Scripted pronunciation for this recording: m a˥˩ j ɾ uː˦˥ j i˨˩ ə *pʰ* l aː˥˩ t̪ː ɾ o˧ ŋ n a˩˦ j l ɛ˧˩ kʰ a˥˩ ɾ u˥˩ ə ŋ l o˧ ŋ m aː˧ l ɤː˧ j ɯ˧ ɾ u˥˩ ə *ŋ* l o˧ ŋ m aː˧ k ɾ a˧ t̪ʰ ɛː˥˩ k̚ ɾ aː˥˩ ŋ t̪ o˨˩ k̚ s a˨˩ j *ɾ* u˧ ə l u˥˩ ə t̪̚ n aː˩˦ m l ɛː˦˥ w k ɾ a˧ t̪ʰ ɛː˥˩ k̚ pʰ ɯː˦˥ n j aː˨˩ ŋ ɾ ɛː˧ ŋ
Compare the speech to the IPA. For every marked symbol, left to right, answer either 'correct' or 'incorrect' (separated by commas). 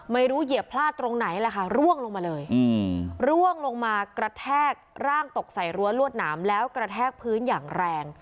correct, correct, correct